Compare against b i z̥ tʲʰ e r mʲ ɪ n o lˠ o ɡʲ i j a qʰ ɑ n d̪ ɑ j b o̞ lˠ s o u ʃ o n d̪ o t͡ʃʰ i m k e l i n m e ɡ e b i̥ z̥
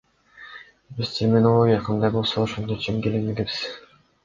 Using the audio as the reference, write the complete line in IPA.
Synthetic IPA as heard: b i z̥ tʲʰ e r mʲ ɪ n o lˠ o ɡʲ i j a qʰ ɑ n d̪ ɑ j b o̞ lˠ s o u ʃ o n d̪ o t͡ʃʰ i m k e l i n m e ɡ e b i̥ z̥